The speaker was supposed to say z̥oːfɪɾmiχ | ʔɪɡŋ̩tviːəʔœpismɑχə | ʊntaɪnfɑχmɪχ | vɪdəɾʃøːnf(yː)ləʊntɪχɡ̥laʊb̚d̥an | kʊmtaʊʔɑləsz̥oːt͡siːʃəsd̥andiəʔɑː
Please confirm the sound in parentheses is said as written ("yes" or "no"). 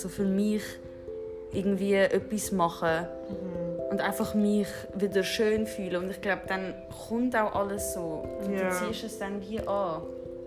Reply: yes